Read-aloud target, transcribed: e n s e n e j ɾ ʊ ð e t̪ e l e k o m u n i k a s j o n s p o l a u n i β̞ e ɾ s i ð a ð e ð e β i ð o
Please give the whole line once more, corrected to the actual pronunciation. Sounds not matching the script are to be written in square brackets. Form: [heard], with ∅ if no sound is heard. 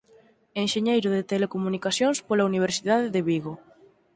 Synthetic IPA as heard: e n [ʃ] e [ɲ] e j ɾ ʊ ð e t̪ e l e k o m u n i k a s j o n s p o l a u n i β̞ e ɾ s i ð a ð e ð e β i [ɣ] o

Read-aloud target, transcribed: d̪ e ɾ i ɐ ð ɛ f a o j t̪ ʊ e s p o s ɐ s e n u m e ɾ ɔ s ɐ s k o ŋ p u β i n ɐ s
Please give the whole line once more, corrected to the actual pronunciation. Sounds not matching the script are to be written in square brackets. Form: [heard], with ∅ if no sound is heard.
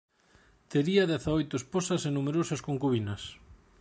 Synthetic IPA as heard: [t̪] e ɾ i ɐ ð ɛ [θ] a o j t̪ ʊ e s p o s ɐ s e n u m e ɾ [o] s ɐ s k o ŋ [k] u β i n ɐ s

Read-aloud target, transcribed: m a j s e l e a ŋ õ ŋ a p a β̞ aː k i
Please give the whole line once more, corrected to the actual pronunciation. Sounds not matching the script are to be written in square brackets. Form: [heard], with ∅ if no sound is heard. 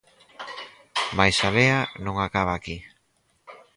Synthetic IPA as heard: m a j s [a] l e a [n] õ ŋ a [k] a β̞ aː k i

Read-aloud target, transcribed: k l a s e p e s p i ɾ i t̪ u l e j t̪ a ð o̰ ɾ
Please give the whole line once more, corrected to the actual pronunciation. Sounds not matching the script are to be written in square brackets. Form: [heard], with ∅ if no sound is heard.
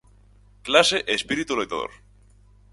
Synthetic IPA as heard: k l a s e [ʔ] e s p i ɾ i t̪ u l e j t̪ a ð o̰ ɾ

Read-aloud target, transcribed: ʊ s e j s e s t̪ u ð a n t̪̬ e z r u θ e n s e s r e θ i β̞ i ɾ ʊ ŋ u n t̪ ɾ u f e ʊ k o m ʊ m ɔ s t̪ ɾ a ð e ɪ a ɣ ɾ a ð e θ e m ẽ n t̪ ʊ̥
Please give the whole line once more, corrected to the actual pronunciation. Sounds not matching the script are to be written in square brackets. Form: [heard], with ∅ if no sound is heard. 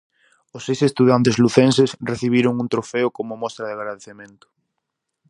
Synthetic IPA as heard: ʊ s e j s e s t̪ u ð a n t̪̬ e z [l] u θ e n s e s r e θ i β̞ i ɾ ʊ ŋ u n t̪ ɾ [o] f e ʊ k o m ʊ m ɔ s t̪ ɾ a ð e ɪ a ɣ ɾ a ð e θ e m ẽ n t̪ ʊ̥

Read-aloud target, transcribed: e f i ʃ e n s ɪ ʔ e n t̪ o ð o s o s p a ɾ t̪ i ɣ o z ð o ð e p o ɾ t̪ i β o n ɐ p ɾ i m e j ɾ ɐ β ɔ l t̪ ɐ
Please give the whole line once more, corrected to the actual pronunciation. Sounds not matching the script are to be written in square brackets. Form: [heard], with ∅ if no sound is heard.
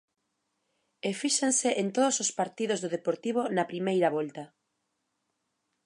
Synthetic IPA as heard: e f i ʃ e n s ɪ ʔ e n t̪ o ð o s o s p a ɾ t̪ i [ð] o z ð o ð e p o ɾ t̪ i β o n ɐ p ɾ i m e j ɾ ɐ β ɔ l t̪ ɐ

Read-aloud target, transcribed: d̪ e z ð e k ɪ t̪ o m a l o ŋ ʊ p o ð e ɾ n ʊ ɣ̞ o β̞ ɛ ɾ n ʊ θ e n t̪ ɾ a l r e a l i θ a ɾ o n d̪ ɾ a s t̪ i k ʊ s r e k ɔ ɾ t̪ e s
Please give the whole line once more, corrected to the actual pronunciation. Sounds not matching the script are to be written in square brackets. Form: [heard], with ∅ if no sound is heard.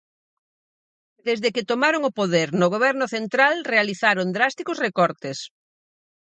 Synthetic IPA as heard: d̪ e z ð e k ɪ t̪ o m a [ɾ] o ŋ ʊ p o ð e ɾ n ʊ ɣ̞ o β̞ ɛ ɾ n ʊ θ e n t̪ ɾ a l r e a l i θ a ɾ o n d̪ ɾ a s t̪ i k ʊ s r e k ɔ ɾ t̪ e s

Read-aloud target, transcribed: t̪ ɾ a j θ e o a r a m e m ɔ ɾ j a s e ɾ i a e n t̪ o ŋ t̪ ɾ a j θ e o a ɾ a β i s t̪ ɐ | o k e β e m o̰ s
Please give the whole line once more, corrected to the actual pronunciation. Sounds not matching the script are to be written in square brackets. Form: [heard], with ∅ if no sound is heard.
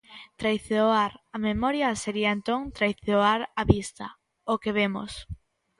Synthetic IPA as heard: t̪ ɾ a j θ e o a [ɾ] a m e m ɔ ɾ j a s e ɾ i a e n t̪ o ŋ t̪ ɾ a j θ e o a ɾ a β i s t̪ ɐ | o k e β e m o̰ s

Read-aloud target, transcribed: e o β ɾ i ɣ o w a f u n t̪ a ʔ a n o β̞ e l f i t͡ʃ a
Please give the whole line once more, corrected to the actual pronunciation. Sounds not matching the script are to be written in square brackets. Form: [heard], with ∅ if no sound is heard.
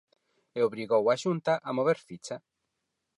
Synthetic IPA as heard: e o β ɾ i ɣ o w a [ʃ] u n t̪ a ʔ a [m] o β̞ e [ɾ] f i t͡ʃ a

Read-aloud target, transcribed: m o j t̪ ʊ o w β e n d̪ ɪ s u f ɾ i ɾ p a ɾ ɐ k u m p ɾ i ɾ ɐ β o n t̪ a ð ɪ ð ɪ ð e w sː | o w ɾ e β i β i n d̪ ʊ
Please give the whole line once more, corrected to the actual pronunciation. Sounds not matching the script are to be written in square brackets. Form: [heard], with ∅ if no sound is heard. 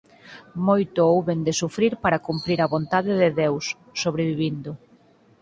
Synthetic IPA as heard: m o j t̪ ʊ o w β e n d̪ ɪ s u f ɾ i ɾ p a ɾ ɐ k u m p ɾ i ɾ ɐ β o n t̪ a ð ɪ ð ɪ ð e w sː | o [β] ɾ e β i β i n d̪ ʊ

